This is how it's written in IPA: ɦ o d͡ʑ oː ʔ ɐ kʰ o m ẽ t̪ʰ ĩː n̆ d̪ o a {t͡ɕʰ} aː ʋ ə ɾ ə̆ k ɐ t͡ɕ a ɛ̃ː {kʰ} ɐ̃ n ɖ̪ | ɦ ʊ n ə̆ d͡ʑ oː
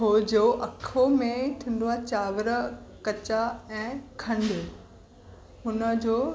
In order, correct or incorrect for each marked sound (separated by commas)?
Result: incorrect, correct